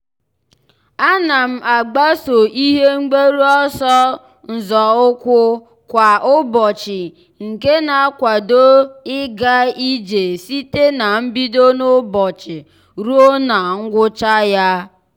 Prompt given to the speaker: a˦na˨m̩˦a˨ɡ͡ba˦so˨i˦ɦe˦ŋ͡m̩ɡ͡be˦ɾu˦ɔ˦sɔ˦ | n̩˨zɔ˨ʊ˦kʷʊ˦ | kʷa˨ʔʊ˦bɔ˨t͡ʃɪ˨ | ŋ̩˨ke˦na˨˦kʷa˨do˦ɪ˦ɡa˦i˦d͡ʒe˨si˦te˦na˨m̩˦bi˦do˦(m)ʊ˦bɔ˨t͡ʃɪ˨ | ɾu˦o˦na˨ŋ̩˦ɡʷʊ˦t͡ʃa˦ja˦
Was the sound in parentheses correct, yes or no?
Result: no